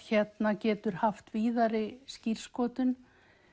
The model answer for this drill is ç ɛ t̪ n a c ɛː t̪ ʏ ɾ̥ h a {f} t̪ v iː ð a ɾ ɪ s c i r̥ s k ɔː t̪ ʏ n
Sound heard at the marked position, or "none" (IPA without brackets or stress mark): f